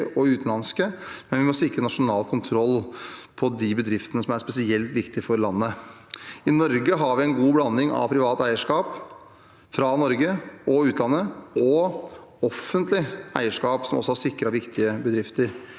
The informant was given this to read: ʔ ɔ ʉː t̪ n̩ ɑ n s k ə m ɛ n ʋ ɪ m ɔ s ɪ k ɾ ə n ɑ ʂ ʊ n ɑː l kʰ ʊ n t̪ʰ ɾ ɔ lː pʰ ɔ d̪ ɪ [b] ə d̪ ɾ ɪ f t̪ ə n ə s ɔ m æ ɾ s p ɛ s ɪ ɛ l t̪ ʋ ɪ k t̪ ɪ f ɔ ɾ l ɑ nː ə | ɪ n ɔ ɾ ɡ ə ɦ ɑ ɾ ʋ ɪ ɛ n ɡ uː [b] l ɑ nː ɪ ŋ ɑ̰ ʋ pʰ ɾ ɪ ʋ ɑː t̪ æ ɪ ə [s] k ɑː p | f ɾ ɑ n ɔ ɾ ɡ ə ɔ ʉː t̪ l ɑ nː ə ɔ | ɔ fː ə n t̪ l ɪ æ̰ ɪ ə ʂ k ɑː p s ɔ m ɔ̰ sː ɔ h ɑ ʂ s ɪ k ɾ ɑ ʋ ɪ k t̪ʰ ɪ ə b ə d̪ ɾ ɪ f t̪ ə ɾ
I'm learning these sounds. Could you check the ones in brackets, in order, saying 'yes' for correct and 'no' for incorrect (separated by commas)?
yes, yes, no